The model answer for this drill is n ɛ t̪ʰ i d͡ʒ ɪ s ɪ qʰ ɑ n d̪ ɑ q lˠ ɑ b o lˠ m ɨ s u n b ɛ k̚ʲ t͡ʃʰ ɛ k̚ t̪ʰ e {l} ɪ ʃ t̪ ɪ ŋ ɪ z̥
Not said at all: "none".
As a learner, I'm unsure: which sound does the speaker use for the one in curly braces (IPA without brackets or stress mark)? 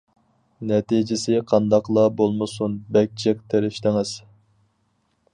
ɾ